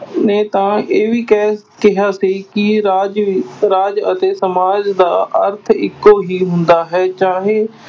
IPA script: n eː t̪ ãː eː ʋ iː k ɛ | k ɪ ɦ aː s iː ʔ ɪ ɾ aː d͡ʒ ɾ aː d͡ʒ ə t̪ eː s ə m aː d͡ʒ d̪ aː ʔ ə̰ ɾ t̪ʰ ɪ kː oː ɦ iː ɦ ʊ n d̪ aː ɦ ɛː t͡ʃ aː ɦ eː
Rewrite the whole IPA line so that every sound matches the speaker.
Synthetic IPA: n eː t̪ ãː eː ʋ iː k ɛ | k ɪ ɦ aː s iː k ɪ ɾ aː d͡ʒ ɾ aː d͡ʒ ə t̪ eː s ə m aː d͡ʒ d̪ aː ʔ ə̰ ɾ t̪ʰ ɪ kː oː ɦ iː ɦ ʊ n d̪ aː ɦ ɛː t͡ʃ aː ɦ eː